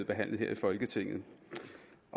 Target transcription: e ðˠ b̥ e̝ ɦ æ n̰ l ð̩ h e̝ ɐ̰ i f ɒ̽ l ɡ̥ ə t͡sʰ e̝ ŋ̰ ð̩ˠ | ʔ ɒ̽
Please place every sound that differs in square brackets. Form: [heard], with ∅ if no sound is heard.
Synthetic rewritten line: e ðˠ b̥ e̝ ɦ æ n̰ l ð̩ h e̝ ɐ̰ i f ɒ̽ l ɡ̥ ə t͡sʰ e̝ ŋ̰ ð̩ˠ | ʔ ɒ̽